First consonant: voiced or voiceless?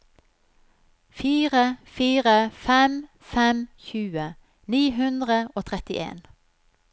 voiceless